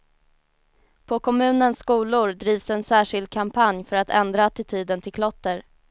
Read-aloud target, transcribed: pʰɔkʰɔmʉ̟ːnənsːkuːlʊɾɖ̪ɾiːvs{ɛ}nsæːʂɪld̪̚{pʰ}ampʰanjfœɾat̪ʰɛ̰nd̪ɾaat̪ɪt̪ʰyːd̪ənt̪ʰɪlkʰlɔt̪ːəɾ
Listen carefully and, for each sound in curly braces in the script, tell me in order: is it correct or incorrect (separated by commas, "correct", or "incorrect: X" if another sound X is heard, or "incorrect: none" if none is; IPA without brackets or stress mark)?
correct, incorrect: kʰ